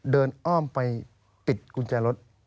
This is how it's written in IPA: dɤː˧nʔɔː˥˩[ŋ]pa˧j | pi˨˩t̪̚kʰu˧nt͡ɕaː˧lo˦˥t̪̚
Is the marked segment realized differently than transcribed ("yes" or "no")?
yes